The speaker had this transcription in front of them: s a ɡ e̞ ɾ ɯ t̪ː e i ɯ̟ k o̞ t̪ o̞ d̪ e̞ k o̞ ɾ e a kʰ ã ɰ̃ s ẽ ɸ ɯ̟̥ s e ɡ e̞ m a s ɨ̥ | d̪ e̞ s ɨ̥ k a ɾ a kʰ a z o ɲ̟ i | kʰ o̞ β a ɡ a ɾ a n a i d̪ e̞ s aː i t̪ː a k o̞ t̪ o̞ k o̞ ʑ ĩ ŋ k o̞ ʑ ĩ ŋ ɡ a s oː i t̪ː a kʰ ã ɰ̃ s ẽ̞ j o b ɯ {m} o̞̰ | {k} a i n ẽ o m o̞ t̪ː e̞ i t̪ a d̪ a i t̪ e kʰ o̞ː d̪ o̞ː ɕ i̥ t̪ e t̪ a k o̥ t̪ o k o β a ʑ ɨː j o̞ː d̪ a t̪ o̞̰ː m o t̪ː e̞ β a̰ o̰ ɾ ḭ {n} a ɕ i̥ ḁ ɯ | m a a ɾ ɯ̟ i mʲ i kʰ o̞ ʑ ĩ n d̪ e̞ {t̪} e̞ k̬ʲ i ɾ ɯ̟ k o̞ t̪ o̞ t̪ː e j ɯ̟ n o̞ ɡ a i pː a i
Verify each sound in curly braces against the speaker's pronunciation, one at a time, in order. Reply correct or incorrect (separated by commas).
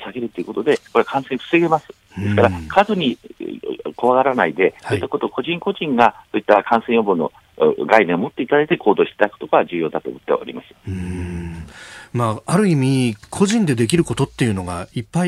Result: incorrect, incorrect, incorrect, incorrect